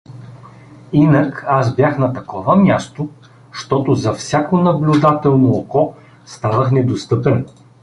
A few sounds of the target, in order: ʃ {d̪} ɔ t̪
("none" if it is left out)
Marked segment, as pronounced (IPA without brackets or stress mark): t̪